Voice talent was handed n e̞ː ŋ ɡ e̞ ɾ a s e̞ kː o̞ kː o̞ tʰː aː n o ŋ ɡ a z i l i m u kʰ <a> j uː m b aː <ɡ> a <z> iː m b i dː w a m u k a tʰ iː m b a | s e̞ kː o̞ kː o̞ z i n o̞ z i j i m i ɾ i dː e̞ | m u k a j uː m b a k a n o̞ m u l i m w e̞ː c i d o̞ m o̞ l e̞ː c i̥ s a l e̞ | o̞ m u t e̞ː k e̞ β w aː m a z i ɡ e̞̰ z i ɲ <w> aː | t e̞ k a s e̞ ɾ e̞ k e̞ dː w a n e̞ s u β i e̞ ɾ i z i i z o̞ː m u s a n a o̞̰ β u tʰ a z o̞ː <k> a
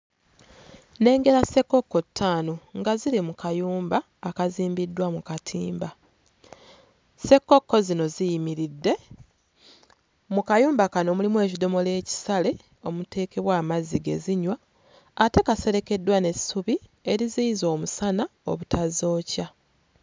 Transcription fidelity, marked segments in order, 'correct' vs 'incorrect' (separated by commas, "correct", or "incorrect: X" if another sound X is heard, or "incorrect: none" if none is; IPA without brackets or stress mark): correct, incorrect: k, correct, correct, incorrect: c